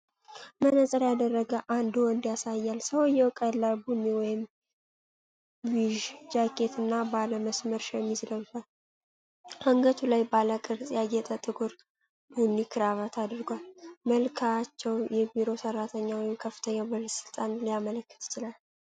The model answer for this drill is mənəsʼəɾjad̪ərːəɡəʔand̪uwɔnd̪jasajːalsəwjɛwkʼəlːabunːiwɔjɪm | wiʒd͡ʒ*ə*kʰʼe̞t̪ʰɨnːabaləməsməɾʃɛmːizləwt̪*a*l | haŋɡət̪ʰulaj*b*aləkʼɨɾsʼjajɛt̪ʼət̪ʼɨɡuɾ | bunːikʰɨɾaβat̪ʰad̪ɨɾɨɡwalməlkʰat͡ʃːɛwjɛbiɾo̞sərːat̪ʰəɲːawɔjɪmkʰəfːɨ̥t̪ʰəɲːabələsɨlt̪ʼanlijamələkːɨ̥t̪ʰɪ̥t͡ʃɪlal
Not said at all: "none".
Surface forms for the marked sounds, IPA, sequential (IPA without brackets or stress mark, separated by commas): a, a, b